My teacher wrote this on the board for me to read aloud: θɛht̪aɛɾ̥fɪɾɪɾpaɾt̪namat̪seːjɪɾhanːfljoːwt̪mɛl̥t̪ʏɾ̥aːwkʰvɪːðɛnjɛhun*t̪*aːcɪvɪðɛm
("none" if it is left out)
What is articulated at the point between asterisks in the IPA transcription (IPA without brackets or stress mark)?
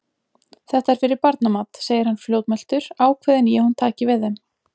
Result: t̪ʰ